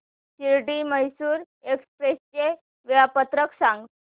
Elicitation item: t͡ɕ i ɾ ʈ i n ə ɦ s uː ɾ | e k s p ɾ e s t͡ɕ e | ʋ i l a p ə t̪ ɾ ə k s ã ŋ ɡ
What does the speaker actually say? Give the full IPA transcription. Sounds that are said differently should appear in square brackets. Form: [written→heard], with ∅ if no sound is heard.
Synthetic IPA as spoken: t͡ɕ i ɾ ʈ i [n→m] ə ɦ s uː ɾ | e k s p ɾ e s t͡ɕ e | ʋ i [l→ɭ] a p ə t̪ ɾ ə k s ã ŋ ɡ